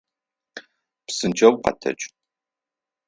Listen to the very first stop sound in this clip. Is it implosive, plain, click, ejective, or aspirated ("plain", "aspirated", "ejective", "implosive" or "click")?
plain